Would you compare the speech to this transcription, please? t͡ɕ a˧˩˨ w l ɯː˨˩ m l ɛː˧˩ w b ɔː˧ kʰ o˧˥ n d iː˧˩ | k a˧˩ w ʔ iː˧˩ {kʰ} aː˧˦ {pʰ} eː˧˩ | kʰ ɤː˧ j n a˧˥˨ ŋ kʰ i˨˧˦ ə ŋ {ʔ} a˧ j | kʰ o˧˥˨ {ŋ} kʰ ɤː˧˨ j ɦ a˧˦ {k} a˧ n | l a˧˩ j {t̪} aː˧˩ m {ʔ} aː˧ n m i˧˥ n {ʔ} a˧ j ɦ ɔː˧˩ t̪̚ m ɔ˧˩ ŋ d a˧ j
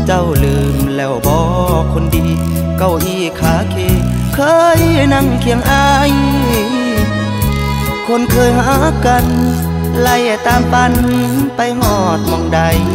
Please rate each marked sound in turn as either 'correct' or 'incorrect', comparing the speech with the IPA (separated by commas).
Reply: correct, incorrect, correct, incorrect, correct, correct, incorrect, incorrect